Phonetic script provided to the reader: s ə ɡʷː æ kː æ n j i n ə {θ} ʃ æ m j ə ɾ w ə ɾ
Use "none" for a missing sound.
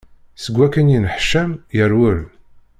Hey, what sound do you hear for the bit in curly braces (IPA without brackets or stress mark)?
ħ